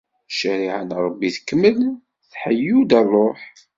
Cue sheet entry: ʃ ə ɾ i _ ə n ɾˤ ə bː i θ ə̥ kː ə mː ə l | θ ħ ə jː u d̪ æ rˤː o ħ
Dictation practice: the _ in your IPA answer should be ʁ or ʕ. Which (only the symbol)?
ʕ